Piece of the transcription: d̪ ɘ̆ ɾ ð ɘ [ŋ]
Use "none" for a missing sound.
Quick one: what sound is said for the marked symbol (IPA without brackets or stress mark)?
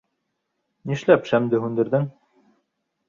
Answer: ŋ